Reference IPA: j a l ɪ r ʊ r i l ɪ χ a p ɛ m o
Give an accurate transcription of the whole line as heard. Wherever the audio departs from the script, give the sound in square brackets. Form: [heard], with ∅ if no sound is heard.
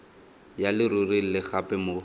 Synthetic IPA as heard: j a l ɪ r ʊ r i l ɪ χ a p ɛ m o